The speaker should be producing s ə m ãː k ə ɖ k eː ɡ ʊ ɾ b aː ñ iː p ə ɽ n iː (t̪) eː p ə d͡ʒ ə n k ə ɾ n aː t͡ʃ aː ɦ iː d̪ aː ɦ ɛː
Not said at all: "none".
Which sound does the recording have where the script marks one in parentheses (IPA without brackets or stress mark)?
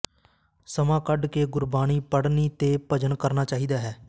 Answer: t̪